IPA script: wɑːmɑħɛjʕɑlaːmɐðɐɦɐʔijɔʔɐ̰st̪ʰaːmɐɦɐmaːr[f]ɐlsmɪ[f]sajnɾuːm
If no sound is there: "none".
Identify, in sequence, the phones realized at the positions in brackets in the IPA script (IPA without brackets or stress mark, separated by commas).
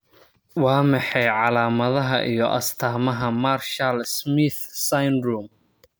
ʃ, θ